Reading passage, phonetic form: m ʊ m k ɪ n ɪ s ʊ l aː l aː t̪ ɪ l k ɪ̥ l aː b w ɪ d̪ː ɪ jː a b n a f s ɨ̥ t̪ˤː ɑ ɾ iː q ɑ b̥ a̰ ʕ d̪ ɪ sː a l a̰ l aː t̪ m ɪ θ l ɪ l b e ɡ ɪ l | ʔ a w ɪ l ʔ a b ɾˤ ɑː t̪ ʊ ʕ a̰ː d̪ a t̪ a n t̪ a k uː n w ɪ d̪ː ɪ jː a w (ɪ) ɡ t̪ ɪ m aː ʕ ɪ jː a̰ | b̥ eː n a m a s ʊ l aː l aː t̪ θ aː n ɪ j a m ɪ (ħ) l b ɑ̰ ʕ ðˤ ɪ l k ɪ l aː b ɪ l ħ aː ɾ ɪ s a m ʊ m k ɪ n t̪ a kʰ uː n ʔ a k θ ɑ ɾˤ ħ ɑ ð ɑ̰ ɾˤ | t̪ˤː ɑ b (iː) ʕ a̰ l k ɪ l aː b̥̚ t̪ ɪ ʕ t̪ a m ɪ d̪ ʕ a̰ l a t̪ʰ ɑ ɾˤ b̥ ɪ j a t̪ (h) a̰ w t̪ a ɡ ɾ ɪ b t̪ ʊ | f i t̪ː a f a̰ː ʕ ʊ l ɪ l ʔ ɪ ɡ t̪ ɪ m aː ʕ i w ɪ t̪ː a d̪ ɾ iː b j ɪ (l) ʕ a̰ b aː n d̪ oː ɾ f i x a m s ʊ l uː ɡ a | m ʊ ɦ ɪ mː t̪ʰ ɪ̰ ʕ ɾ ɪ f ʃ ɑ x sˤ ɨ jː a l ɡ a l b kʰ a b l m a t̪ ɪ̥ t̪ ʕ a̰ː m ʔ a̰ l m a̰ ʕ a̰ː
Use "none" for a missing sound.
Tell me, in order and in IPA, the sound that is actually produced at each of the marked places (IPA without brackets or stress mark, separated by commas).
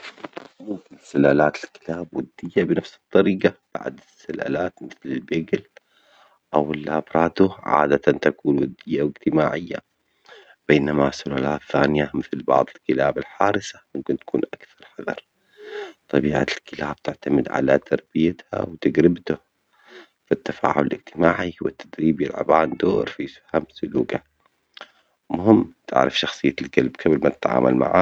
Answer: ɪ, θ, iː, h, l